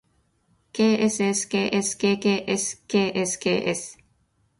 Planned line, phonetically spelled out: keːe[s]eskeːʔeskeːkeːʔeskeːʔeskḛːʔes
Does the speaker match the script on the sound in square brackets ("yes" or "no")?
yes